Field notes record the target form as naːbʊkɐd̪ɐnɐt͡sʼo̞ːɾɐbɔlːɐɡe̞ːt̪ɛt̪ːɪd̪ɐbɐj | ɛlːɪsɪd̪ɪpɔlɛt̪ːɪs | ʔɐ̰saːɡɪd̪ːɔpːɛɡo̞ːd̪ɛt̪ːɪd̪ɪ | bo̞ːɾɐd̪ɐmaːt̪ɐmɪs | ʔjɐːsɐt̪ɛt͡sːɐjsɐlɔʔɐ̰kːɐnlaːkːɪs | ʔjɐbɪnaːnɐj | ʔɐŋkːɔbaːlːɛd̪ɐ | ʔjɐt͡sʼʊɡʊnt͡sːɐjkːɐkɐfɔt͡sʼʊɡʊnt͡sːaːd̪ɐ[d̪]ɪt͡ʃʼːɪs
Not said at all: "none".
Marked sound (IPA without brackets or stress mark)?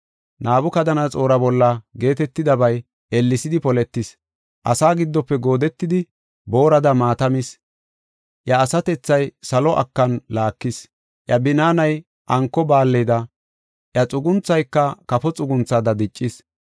d̪